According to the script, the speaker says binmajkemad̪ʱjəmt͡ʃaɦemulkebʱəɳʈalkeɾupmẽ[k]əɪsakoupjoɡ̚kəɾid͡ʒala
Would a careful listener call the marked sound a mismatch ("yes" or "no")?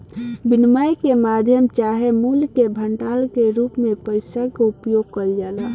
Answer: yes